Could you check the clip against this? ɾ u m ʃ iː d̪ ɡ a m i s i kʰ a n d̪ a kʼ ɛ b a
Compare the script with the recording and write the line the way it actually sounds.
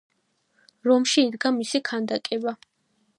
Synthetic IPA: ɾ ɔ m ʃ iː d̪ ɡ a m i s i kʰ a n d̪ a kʼ ɛ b a